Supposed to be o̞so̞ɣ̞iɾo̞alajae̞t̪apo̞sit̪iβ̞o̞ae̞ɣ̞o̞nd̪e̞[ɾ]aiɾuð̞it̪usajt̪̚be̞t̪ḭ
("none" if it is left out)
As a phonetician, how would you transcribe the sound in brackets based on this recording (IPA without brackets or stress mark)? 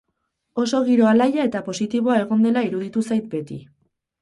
l